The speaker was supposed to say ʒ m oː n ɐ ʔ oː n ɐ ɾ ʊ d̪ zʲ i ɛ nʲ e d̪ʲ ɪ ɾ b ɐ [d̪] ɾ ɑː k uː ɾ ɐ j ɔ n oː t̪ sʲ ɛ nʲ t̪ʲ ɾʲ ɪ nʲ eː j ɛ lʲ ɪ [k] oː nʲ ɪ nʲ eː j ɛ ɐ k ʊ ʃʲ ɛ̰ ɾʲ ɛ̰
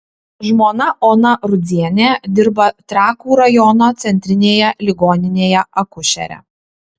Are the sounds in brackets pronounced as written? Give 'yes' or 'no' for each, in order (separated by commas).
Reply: no, no